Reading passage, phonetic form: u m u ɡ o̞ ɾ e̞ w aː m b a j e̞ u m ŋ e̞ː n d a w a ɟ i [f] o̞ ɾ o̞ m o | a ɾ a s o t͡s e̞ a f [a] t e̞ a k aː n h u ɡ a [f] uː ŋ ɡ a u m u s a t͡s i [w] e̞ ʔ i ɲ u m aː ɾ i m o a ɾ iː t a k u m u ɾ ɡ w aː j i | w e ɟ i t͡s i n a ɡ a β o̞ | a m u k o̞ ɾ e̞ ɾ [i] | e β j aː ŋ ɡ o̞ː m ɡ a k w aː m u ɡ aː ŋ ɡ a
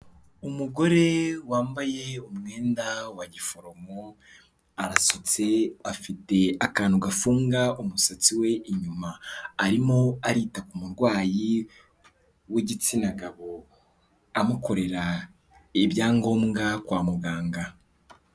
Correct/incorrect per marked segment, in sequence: correct, incorrect, correct, correct, incorrect

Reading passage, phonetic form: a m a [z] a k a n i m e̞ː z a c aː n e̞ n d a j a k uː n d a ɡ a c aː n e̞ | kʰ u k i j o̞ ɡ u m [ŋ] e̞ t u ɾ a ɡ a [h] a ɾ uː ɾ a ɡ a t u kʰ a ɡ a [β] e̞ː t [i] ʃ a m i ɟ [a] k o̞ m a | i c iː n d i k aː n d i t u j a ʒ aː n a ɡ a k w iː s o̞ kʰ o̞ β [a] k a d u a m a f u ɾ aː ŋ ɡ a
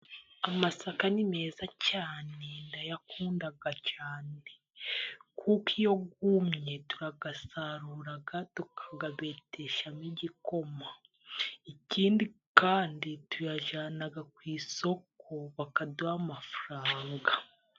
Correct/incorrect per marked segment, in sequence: incorrect, incorrect, incorrect, correct, incorrect, incorrect, correct

